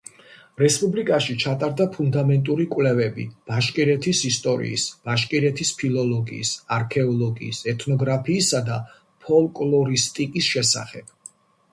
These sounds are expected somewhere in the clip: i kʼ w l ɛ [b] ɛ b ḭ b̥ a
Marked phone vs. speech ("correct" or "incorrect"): incorrect